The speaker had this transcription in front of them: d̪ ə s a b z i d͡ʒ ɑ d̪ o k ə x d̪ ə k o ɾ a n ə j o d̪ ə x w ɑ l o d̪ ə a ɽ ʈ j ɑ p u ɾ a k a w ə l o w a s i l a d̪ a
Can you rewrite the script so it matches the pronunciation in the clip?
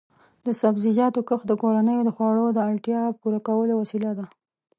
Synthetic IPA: d̪ ə s a b z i d͡ʒ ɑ t̪ o k ə x d̪ ə k o ɾ a n ə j o d̪ ə x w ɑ ɽ o d̪ ə a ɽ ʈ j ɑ p u ɾ a k a w ə l o w a s i l a d̪ a